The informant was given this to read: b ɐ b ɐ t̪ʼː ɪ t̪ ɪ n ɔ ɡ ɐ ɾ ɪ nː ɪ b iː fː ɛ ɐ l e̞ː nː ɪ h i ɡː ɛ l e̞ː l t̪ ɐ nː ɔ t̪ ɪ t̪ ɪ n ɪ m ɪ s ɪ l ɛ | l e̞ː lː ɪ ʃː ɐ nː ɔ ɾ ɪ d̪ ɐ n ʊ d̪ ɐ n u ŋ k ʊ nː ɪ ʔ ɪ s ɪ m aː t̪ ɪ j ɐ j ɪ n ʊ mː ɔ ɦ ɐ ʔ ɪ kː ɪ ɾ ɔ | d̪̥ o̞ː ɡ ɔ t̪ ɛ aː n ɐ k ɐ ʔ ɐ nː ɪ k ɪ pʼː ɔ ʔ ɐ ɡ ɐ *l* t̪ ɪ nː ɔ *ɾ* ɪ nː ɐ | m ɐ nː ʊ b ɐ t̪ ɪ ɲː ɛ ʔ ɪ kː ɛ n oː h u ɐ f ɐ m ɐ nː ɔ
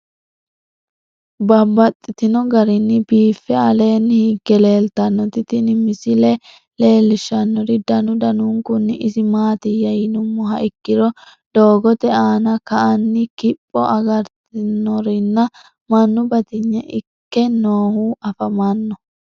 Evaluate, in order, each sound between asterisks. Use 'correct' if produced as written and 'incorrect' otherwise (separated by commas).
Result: incorrect, correct